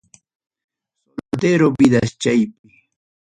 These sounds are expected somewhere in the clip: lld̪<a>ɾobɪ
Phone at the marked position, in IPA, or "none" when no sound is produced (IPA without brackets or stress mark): e